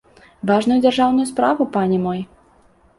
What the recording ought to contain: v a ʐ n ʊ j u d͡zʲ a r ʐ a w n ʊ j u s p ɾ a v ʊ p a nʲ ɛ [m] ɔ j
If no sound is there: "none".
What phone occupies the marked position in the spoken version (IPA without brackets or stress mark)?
m